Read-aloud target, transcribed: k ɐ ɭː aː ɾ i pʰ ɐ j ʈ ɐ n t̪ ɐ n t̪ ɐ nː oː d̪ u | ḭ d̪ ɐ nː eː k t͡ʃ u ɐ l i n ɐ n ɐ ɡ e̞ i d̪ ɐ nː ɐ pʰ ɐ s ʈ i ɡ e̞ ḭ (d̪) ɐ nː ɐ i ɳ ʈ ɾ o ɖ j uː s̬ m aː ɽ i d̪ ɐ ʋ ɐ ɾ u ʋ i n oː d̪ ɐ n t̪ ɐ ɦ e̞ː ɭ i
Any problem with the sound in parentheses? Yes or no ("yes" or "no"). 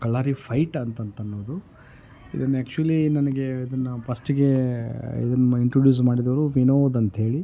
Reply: no